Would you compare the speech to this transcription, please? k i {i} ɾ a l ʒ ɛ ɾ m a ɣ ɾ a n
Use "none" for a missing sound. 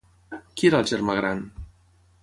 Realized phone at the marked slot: e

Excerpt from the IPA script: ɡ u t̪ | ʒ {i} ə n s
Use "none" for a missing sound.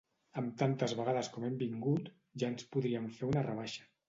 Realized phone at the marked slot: a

